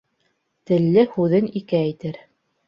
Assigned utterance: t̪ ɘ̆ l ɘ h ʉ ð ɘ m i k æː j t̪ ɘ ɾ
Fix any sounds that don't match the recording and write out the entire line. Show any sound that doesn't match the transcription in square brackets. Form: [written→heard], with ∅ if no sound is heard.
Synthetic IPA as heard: t̪ ɘ̆ [l→lː] ɘ h ʉ ð ɘ [m→n] i k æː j t̪ ɘ ɾ